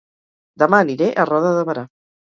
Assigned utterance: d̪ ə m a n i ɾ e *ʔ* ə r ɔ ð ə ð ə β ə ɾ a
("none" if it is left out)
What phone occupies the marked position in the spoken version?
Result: ʔ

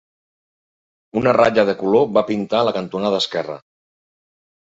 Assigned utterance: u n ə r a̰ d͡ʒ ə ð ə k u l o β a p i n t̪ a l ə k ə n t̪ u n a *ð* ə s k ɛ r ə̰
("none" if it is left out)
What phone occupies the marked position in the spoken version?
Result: ð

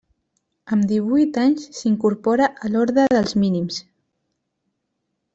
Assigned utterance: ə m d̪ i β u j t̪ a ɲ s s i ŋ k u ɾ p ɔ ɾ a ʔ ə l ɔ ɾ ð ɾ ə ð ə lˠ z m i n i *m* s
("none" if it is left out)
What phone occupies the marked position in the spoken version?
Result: m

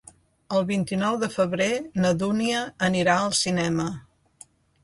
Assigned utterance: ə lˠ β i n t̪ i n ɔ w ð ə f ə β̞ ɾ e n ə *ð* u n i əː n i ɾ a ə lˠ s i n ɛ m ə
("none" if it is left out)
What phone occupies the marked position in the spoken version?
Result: ð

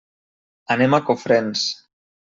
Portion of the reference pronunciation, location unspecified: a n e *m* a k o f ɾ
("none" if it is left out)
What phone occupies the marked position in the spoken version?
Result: m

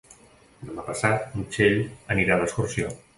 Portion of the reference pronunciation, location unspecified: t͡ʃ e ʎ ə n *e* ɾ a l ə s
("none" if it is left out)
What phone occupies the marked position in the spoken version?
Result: i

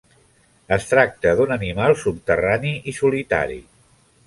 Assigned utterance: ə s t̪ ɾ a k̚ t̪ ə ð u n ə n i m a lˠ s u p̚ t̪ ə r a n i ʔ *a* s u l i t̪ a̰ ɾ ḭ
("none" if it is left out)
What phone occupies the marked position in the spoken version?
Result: i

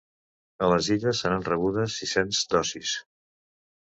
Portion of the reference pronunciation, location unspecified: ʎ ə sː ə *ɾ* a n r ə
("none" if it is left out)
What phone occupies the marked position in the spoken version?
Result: ɾ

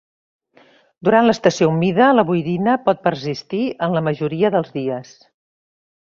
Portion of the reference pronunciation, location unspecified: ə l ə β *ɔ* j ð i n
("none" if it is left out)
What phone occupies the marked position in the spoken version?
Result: u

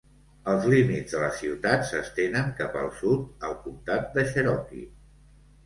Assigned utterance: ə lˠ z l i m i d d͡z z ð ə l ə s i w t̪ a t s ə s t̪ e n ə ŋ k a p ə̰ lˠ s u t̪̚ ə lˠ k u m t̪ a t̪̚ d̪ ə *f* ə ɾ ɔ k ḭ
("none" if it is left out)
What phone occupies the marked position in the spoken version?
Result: ʃ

